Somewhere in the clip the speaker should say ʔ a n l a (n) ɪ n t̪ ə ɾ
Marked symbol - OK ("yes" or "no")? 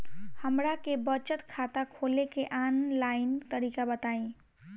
no